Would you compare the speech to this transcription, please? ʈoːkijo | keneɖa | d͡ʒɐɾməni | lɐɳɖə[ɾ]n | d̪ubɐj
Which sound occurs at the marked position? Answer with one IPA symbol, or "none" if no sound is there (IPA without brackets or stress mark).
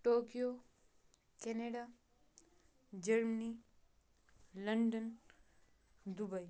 none